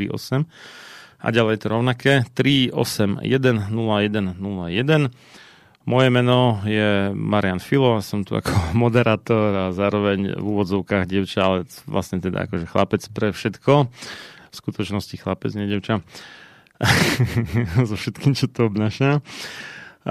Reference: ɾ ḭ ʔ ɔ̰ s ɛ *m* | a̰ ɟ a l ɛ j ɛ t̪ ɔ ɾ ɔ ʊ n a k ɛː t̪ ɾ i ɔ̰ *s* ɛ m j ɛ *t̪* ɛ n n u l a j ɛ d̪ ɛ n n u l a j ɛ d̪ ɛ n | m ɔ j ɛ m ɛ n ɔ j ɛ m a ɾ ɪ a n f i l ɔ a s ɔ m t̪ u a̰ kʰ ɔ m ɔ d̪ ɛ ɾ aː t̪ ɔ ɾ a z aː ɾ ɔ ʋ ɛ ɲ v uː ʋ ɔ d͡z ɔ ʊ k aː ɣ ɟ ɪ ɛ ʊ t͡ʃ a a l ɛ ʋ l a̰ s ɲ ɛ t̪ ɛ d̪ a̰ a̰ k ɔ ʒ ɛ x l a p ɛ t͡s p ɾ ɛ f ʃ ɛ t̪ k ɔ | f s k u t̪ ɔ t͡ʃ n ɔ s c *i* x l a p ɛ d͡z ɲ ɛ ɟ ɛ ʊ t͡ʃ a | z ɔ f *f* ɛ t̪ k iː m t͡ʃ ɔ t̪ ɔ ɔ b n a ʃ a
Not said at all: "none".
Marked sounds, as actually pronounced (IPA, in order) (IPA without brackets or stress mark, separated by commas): m, s, d̪, i, ʃ